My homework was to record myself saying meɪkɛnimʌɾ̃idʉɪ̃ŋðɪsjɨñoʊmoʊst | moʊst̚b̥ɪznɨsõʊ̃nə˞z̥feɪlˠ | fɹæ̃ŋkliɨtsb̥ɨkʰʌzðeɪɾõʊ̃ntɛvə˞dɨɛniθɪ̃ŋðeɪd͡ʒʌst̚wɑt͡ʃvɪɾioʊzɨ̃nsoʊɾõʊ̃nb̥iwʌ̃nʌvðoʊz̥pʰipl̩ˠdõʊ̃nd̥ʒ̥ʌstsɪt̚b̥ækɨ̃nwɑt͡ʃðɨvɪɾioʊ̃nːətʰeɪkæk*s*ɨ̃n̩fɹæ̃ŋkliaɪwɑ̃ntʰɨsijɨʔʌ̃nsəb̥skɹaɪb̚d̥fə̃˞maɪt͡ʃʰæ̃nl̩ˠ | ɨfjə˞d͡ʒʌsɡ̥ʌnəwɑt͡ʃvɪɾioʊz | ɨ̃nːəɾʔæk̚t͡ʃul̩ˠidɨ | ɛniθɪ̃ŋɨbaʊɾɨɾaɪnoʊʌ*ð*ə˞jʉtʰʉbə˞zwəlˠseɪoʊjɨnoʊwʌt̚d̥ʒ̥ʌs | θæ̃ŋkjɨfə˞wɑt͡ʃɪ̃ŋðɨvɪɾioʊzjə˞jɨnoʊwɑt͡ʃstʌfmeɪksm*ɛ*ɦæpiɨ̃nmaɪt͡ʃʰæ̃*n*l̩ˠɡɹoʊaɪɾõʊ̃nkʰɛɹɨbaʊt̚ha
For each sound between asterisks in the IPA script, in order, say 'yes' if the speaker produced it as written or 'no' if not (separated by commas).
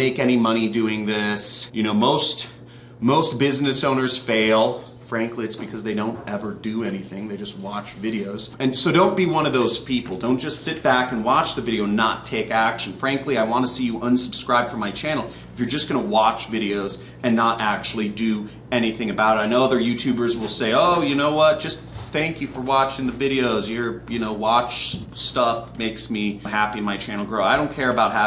no, yes, no, yes